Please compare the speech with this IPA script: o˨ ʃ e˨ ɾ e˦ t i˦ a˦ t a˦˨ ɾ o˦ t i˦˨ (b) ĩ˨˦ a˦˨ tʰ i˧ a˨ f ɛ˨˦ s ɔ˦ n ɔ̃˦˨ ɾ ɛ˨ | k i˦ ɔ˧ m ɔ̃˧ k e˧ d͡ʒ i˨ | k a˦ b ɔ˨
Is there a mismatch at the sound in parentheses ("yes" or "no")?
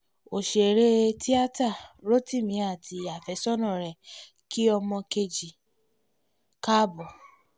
yes